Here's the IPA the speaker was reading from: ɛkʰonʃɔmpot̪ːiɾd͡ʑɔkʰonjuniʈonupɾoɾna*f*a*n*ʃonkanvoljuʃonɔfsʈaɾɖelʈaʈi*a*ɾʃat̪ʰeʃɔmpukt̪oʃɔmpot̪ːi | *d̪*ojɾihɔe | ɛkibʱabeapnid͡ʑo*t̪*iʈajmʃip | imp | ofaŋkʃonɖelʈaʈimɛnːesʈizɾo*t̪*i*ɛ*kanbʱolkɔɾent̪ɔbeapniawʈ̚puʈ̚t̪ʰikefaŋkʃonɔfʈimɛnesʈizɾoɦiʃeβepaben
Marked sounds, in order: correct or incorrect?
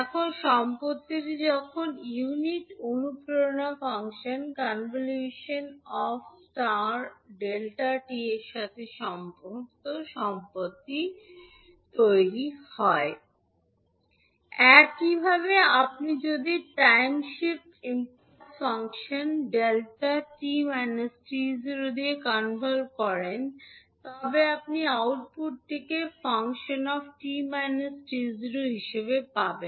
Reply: correct, incorrect, incorrect, incorrect, incorrect, incorrect, incorrect

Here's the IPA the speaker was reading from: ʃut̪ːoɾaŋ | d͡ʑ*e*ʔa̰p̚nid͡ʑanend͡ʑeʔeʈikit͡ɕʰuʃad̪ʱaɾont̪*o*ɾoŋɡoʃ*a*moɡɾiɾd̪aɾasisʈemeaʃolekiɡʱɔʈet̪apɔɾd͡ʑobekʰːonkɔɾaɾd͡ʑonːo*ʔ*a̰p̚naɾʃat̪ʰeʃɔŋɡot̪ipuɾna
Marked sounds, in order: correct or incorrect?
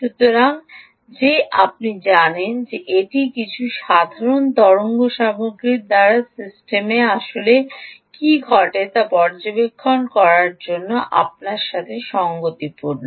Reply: correct, incorrect, correct, correct

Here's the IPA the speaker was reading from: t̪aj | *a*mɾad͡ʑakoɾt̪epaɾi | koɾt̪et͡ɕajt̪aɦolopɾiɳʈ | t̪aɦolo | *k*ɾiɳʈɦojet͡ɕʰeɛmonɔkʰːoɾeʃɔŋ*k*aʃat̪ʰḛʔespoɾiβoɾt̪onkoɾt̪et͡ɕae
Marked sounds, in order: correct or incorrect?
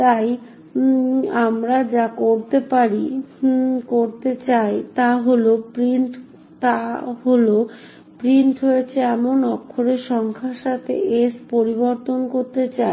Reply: correct, incorrect, incorrect

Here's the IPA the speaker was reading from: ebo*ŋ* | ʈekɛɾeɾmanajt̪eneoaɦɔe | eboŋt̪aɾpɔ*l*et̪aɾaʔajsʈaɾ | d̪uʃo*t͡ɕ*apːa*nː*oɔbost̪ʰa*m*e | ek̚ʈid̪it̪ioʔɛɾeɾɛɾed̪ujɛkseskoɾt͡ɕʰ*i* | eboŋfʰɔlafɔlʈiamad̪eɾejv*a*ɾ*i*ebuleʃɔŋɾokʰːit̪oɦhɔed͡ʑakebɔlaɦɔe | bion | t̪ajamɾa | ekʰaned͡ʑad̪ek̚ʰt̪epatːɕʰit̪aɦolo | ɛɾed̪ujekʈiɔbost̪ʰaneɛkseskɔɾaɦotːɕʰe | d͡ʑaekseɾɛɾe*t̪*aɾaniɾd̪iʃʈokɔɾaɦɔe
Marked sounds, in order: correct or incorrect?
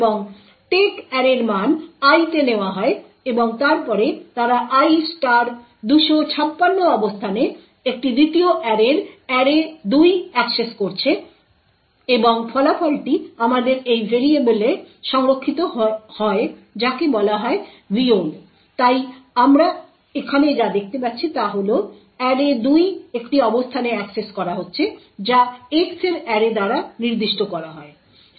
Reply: correct, incorrect, incorrect, correct, incorrect, incorrect, incorrect, correct, incorrect

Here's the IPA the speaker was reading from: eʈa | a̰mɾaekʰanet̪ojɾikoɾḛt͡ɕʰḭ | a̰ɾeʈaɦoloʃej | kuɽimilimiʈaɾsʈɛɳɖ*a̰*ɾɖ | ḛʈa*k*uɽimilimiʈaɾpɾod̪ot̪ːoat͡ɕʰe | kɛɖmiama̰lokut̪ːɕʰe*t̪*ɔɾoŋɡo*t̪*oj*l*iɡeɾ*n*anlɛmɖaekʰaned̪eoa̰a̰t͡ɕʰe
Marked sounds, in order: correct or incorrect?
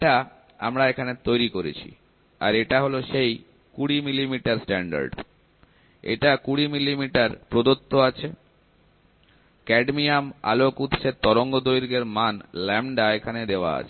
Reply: correct, correct, correct, incorrect, incorrect, incorrect

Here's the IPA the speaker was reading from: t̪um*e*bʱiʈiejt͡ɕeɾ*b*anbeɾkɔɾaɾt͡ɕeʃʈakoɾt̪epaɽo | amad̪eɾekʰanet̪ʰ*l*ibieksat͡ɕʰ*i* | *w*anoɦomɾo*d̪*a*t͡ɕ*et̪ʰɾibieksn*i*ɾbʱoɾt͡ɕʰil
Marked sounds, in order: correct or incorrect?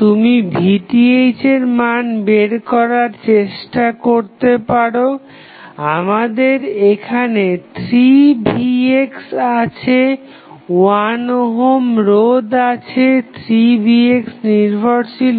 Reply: incorrect, incorrect, incorrect, incorrect, correct, correct, incorrect, correct

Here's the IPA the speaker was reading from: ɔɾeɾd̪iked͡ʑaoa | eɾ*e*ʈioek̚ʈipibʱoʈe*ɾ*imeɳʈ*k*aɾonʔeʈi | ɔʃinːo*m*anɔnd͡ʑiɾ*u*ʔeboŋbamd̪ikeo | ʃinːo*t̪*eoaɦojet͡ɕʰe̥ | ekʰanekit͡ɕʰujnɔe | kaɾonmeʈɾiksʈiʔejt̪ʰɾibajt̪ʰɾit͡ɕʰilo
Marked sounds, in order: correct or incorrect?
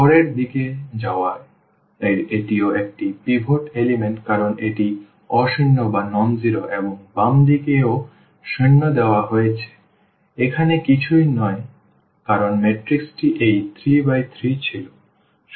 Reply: correct, incorrect, correct, incorrect, incorrect, incorrect

